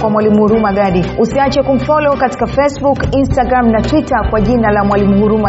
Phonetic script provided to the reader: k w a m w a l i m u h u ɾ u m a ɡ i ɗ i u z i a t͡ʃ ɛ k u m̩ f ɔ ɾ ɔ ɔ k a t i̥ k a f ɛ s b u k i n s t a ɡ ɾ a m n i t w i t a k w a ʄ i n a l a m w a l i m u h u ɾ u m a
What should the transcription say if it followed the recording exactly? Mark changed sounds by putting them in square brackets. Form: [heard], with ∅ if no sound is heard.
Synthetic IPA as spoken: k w a m w a l i m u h u ɾ u m a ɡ [a] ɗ i u [s] i a t͡ʃ ɛ k u m̩ f ɔ [l] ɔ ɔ k a t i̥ k a f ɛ s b u k i n s t a ɡ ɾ a m n [a] t w i t a k w a ʄ i n a l a m w a l i m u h u ɾ u m a